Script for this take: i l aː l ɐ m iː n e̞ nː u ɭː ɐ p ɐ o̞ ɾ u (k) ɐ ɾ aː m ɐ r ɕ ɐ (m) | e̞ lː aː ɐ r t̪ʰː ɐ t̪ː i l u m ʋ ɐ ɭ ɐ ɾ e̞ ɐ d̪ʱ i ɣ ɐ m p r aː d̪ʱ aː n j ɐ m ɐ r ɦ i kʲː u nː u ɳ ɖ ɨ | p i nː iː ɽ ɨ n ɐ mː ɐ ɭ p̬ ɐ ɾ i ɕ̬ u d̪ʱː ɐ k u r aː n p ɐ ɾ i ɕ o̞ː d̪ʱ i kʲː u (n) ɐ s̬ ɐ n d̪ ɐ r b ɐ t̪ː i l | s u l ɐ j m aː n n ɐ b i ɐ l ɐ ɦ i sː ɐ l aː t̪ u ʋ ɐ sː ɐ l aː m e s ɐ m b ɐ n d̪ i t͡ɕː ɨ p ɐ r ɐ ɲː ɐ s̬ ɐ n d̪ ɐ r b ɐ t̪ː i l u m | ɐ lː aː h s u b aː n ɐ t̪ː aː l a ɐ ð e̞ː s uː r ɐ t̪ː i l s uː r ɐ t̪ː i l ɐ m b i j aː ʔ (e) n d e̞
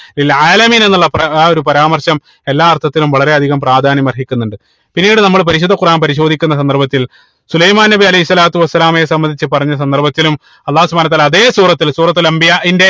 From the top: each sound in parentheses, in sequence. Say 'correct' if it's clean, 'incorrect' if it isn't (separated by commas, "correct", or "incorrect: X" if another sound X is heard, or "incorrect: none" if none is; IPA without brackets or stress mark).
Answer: incorrect: p, correct, incorrect: nː, incorrect: i